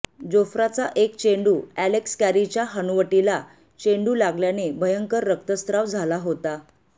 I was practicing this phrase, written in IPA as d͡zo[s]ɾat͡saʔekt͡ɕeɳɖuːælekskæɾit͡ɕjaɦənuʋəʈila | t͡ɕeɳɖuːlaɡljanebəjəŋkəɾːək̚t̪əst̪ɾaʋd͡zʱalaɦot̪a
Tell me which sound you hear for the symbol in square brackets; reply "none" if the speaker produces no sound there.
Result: f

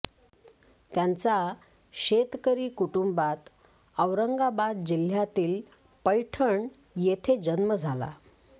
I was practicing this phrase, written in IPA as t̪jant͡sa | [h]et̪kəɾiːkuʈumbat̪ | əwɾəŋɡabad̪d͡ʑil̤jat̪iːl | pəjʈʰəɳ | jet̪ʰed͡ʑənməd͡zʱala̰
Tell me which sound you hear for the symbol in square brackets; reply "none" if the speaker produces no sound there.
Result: ɕ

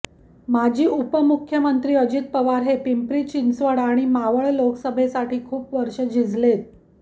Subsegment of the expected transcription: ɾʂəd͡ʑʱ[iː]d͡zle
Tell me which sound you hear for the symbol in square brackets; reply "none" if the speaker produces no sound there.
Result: i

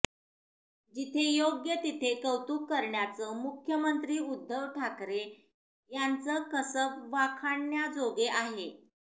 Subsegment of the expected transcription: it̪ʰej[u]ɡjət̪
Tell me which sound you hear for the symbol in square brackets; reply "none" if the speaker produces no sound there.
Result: o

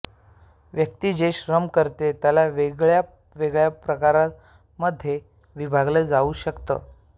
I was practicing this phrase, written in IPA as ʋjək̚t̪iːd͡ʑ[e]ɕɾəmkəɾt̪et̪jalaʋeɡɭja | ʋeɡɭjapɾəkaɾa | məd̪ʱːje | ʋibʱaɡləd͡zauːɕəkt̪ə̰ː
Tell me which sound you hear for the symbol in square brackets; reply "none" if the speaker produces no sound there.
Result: e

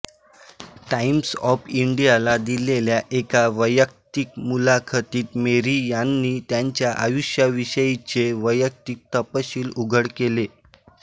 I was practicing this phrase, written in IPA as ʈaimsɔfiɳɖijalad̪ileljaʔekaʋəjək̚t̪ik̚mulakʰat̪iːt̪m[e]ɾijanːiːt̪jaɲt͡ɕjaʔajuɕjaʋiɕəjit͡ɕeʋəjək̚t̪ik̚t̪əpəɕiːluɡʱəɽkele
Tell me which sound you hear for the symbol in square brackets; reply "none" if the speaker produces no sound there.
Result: e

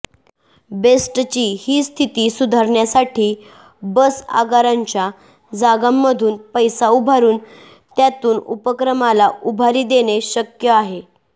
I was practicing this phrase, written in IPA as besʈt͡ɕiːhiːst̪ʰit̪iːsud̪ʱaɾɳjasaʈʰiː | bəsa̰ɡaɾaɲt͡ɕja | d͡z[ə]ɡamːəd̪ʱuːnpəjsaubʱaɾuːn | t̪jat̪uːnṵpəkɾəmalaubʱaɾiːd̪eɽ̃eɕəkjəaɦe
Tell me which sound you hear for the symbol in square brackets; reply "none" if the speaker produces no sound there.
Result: a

